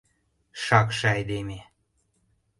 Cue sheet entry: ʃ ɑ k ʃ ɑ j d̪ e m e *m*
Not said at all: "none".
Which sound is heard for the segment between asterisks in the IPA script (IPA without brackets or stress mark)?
none